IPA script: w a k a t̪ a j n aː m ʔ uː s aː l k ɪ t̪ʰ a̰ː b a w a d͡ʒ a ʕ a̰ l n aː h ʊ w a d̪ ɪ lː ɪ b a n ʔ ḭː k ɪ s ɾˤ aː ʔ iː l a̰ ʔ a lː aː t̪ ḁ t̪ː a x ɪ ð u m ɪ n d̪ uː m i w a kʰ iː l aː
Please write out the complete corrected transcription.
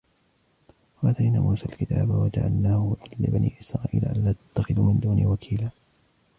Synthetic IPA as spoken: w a ʔ a t̪ a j n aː m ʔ uː s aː l k ɪ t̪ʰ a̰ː b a w a d͡ʒ a ʕ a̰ l n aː h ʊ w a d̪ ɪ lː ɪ b a n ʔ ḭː ʔ ɪ s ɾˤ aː ʔ iː l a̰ ʔ a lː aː t̪ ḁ t̪ː a x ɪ ð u m ɪ n d̪ uː n i w a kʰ iː l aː